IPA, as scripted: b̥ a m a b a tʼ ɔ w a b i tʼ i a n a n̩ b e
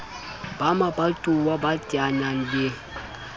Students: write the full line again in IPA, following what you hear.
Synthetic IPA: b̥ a m a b a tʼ u w a b a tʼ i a n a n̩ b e